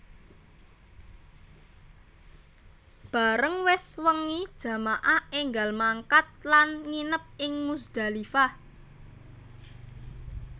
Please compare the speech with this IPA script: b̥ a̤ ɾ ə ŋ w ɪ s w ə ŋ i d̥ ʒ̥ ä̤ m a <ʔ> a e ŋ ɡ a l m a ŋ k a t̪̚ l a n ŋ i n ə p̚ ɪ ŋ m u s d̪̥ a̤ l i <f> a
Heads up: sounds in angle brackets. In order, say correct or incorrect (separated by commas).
correct, correct